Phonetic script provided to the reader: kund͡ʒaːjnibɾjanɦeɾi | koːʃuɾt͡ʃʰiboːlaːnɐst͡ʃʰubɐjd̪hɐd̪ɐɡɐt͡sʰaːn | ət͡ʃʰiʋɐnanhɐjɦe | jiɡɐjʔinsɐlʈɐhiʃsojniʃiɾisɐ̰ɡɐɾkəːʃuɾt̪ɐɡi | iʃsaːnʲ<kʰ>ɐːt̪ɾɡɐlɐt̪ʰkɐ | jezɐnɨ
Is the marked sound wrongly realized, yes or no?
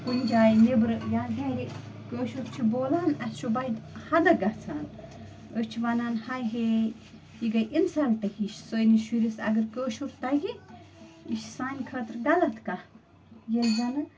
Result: no